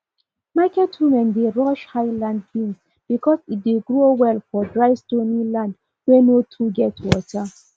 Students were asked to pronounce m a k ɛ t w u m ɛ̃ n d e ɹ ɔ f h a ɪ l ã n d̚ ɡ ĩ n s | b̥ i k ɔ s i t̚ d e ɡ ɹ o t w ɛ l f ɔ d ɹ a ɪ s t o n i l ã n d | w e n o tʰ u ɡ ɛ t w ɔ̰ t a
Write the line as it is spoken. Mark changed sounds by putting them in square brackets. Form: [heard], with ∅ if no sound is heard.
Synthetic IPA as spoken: m a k ɛ t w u m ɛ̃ n d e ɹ ɔ [ʃ] h a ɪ l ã n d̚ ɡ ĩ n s | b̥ i k ɔ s i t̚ d e ɡ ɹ o [∅] w ɛ l f ɔ d ɹ a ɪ s t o n i l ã n d | w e n o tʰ u ɡ ɛ t w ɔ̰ t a